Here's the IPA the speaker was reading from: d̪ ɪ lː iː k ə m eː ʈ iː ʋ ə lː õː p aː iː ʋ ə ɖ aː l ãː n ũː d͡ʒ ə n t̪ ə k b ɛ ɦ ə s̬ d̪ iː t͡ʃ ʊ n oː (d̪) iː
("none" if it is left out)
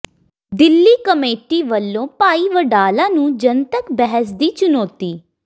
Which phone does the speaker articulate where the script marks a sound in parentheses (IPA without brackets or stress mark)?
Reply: t̪